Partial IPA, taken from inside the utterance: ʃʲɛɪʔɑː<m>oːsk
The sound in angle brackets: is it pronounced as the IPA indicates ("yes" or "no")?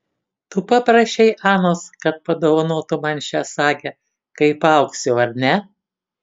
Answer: no